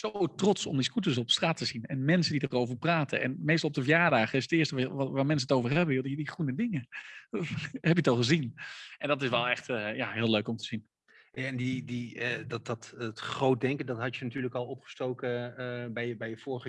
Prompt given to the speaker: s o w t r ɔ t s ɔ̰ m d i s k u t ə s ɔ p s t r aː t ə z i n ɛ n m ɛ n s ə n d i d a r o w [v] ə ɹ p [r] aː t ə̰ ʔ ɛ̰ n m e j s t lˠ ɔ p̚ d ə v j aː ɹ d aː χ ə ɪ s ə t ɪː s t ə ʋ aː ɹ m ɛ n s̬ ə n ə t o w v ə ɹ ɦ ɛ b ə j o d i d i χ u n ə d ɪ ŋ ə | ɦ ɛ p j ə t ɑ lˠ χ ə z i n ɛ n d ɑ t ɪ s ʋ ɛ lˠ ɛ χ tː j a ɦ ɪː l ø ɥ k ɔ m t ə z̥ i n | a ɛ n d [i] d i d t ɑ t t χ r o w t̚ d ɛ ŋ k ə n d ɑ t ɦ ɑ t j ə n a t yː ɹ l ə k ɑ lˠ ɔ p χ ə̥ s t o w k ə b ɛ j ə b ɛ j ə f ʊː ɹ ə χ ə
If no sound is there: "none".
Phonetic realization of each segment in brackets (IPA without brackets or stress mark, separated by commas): v, r, i